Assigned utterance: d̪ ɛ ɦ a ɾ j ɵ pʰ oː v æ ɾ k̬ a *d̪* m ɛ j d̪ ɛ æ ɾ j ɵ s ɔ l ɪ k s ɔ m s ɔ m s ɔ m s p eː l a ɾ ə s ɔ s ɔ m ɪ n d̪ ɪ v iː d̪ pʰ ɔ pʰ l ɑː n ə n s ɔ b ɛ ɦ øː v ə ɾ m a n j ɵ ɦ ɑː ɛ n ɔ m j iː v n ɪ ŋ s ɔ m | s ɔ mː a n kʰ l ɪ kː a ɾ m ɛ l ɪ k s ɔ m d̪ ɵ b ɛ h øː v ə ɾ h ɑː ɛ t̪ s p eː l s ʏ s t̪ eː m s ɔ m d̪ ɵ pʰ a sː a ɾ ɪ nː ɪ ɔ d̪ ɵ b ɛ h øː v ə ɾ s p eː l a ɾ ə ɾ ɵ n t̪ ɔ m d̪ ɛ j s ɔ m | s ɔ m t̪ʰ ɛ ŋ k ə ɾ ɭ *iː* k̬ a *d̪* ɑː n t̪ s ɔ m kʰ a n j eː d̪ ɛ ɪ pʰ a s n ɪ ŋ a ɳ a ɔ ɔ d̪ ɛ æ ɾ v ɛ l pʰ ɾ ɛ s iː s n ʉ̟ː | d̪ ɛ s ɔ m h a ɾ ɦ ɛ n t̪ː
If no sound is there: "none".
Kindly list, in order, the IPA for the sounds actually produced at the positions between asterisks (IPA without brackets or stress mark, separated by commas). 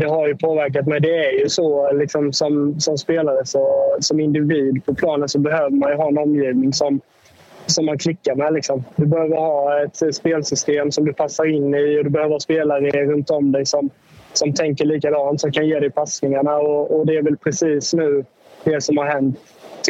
t̪, iː, d̪